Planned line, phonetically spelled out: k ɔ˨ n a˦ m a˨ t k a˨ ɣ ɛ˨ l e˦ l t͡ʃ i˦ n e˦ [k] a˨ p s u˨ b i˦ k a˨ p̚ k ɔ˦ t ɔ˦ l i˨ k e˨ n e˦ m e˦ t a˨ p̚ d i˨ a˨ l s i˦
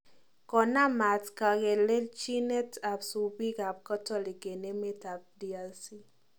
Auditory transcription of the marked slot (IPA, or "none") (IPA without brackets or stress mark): t